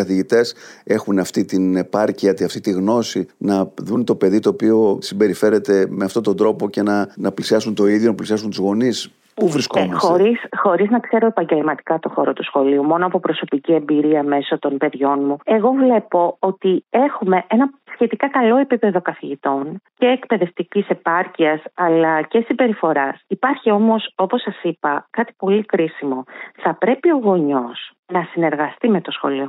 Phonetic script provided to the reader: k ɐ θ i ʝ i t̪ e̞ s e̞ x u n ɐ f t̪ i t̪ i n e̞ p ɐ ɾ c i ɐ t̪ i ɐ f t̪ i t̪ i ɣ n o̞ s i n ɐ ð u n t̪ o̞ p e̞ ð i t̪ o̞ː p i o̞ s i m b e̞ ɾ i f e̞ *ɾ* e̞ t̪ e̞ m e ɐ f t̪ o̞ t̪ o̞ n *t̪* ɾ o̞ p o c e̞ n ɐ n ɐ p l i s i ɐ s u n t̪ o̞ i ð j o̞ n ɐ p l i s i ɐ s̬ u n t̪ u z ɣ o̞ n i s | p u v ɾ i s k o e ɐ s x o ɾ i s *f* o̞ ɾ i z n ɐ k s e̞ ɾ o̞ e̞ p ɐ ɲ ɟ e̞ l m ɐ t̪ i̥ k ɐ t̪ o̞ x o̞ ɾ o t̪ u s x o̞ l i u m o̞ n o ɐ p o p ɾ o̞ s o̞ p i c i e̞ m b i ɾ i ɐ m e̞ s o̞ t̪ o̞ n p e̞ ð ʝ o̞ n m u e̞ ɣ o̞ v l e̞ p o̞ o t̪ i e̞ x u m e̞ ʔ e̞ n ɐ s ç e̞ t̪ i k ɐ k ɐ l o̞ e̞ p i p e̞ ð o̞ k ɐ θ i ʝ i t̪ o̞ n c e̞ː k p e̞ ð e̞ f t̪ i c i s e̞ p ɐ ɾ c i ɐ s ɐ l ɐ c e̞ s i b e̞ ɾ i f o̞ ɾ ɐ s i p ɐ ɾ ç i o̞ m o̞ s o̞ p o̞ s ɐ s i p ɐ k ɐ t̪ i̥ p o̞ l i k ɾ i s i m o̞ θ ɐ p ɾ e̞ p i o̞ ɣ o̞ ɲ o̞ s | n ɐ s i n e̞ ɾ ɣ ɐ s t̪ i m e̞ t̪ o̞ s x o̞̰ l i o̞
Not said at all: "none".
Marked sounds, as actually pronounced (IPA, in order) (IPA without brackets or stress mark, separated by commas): ɾ, d̪, x